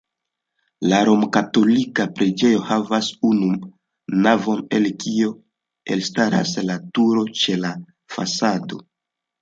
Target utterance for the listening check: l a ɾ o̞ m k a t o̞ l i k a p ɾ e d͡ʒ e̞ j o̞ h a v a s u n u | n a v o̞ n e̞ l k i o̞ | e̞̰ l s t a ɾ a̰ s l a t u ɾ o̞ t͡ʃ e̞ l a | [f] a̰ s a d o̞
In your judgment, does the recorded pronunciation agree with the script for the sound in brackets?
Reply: yes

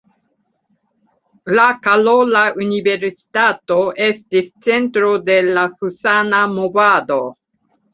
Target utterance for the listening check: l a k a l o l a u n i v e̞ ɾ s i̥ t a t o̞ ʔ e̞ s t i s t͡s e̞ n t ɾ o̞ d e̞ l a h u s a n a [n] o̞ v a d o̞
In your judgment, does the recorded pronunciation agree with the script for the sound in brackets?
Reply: no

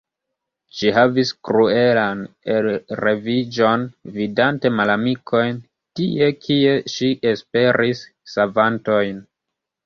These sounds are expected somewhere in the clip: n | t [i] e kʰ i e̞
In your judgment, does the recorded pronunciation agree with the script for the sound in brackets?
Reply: yes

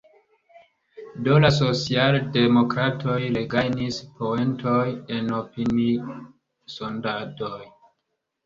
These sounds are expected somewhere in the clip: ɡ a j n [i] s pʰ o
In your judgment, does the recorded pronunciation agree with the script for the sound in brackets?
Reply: yes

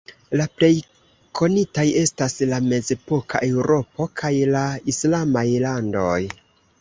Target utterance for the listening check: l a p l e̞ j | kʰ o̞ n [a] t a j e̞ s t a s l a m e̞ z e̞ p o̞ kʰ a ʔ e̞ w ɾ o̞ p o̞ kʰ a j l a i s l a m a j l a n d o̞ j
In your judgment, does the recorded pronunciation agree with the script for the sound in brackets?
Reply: no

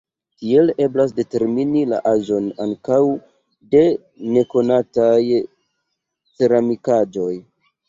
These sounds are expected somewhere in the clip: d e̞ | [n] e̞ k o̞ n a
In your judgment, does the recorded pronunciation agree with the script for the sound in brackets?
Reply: yes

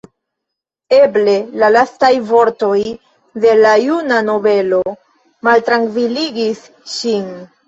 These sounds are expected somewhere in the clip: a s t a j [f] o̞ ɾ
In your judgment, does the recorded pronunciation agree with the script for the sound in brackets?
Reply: no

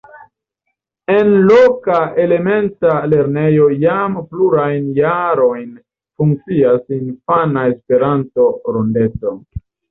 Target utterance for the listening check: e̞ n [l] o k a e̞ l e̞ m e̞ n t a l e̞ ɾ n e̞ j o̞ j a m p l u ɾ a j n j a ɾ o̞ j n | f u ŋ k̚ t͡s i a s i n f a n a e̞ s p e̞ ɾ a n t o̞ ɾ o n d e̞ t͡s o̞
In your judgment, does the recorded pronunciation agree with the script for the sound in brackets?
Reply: yes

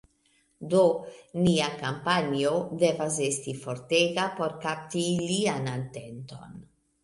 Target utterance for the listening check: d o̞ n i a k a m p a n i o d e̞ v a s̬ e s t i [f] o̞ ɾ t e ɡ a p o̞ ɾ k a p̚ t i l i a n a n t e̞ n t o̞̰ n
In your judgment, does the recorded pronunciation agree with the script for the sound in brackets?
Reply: yes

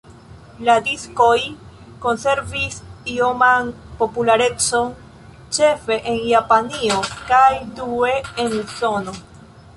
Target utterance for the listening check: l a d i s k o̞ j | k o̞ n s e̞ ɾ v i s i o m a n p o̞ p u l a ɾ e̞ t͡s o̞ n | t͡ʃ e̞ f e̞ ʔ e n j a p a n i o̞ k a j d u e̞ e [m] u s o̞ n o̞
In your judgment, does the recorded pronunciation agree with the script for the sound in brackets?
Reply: no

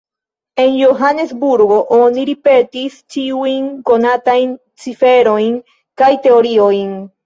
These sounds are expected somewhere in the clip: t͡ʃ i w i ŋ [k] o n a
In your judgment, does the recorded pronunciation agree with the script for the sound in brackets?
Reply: yes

